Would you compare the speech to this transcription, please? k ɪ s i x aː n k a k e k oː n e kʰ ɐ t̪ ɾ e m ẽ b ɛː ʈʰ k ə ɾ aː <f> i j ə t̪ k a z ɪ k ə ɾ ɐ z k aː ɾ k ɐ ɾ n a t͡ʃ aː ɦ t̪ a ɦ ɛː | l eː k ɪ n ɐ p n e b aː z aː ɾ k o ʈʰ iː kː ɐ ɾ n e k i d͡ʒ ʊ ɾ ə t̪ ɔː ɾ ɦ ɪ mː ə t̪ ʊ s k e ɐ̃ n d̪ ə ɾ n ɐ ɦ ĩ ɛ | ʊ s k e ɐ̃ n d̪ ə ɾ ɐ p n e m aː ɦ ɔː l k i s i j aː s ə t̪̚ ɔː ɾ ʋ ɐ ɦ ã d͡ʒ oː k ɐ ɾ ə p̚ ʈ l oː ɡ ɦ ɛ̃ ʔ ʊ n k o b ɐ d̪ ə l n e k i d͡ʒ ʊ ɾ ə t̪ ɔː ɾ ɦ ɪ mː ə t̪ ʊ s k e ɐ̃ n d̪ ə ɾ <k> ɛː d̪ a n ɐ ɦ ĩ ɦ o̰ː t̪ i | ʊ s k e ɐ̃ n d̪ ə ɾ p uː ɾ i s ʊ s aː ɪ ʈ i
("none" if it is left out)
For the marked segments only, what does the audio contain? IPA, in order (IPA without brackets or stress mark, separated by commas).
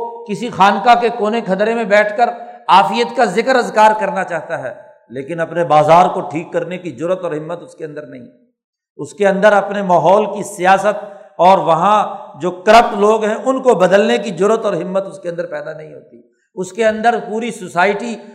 f, p